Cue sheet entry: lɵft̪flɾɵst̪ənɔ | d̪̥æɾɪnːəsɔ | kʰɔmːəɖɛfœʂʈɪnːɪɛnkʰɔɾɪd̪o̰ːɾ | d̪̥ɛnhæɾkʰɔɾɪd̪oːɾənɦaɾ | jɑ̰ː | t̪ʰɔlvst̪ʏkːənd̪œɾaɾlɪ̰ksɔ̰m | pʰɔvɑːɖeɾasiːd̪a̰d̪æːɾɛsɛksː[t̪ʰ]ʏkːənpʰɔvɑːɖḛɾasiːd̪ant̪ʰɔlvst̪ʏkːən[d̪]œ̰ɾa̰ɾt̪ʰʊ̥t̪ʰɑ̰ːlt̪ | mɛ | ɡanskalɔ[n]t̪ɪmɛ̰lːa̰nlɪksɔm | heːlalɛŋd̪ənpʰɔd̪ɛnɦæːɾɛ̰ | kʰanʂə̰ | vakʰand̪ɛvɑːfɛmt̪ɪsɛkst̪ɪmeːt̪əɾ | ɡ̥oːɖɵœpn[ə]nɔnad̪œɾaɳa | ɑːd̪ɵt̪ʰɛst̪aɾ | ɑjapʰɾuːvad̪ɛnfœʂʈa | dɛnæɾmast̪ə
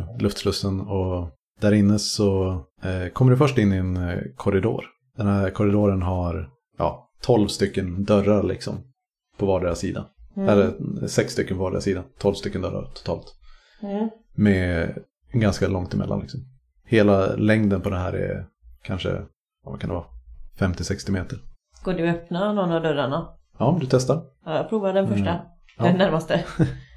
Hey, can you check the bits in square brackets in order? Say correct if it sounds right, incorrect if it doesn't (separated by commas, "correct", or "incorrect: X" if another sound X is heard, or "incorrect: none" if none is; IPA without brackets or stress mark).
incorrect: t̪, correct, incorrect: ŋ, incorrect: a